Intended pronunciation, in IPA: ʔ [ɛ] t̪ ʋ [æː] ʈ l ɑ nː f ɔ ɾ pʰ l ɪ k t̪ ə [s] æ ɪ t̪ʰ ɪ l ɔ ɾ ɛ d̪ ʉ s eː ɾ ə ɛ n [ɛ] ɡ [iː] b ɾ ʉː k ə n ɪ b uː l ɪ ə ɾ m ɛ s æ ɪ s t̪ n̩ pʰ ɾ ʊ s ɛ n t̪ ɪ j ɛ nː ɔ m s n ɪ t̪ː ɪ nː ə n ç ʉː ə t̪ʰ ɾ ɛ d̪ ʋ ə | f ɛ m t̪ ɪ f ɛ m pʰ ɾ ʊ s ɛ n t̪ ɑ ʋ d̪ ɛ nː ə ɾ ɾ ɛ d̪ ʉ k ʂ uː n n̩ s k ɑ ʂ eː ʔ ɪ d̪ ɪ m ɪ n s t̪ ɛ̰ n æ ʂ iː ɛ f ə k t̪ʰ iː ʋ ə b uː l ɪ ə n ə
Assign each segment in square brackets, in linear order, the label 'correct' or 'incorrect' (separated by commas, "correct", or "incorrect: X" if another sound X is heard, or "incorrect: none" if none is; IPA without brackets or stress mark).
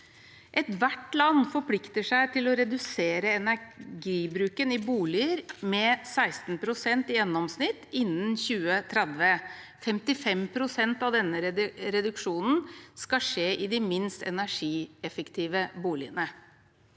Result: correct, incorrect: æ, incorrect: ʂ, incorrect: æ, correct